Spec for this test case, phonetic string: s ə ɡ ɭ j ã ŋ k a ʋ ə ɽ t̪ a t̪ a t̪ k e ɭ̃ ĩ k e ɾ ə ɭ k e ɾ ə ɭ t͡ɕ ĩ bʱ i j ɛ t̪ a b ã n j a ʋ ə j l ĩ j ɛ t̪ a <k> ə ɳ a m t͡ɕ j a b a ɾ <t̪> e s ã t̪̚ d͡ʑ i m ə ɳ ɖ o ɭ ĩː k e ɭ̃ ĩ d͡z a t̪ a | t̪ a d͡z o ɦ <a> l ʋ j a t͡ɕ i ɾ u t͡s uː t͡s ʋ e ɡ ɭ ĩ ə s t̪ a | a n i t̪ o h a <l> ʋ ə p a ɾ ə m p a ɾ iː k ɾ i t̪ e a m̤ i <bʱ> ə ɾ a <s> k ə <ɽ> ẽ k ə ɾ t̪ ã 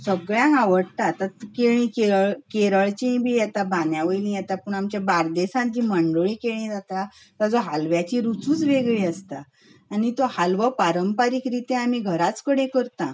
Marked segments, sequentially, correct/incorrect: incorrect: p, incorrect: d̪, correct, correct, incorrect: ɡʱ, incorrect: t͡s, correct

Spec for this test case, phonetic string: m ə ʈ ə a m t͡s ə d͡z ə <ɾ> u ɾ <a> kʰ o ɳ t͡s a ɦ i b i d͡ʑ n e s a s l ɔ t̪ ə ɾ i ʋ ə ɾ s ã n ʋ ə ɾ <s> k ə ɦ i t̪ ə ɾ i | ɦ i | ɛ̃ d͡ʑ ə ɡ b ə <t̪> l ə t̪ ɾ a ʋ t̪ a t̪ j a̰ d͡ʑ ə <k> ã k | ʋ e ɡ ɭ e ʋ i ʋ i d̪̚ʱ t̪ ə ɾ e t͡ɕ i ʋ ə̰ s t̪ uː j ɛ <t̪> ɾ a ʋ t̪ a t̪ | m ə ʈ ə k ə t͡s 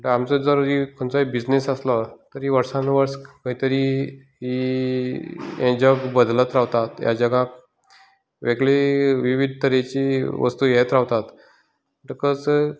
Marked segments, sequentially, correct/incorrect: correct, incorrect: i, correct, incorrect: d̪, incorrect: ɡ, correct

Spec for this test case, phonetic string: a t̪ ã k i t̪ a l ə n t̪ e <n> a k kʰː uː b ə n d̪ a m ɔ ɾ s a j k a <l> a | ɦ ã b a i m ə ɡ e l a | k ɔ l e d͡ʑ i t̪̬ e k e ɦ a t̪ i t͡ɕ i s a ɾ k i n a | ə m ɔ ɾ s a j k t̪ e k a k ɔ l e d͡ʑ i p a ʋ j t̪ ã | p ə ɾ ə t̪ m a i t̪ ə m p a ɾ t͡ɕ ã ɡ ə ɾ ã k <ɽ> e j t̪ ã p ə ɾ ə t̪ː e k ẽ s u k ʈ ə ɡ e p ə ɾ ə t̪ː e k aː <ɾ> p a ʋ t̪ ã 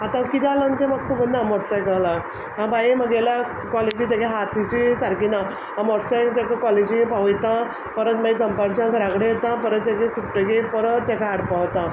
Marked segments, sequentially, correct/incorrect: incorrect: m, correct, correct, incorrect: ɽ

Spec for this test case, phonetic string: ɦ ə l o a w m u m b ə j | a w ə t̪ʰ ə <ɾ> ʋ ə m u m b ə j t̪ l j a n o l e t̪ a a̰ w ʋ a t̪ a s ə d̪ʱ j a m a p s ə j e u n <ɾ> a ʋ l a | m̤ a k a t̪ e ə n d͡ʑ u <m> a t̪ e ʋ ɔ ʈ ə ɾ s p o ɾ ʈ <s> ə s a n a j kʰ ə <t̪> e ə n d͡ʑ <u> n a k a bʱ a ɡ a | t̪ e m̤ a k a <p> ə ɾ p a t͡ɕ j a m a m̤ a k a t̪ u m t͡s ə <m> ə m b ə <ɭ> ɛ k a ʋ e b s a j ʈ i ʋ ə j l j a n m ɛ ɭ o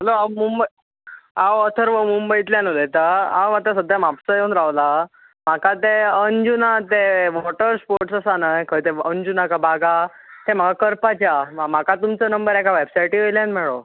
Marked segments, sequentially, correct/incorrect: correct, correct, incorrect: n, correct, correct, correct, incorrect: k, incorrect: n, incorrect: ɾ

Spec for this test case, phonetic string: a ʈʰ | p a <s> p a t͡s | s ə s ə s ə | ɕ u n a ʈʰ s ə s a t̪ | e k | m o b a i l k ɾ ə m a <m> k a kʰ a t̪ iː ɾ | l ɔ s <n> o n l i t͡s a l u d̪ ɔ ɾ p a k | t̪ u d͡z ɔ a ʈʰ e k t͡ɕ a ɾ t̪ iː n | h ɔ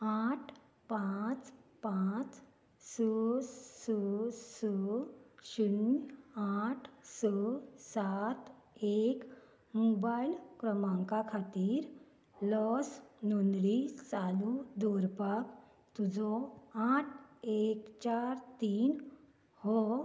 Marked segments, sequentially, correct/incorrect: incorrect: t͡s, incorrect: ŋ, correct

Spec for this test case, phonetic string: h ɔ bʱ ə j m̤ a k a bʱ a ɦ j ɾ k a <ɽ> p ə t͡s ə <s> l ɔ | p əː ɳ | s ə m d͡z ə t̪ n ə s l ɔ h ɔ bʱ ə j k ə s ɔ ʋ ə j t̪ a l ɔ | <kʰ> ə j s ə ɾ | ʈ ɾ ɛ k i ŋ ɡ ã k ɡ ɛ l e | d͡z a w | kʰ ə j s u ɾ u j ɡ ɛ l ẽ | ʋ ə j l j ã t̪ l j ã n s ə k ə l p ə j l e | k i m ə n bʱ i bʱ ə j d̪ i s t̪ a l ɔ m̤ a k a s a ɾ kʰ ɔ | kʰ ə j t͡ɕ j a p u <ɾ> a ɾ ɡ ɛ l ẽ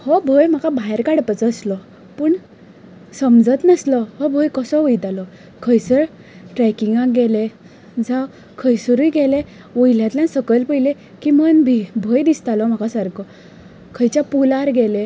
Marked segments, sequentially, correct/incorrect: correct, correct, correct, incorrect: l

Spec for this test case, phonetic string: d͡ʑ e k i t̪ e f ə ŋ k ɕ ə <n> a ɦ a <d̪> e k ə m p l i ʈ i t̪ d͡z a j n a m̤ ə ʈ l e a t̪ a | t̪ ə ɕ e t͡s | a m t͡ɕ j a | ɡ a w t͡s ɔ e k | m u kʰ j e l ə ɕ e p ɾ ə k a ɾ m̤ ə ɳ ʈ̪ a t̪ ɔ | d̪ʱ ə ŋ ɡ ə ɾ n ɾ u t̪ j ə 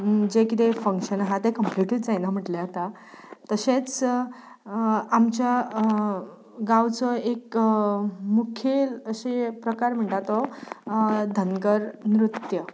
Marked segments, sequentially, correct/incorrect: correct, incorrect: t̪

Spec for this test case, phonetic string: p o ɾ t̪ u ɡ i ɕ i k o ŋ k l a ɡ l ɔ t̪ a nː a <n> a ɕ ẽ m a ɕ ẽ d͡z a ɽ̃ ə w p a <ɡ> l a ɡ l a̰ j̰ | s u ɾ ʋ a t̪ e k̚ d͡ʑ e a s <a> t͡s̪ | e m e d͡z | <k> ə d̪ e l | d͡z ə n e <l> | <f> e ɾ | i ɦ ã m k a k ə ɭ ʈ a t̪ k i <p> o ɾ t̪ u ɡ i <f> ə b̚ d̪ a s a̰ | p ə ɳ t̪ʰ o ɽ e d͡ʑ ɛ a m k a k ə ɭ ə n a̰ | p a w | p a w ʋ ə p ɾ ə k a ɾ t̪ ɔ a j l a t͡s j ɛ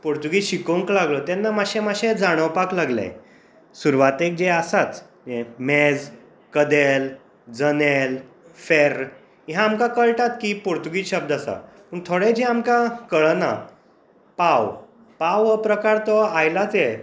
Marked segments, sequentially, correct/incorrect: incorrect: m, incorrect: k, correct, correct, correct, correct, correct, incorrect: ɕ

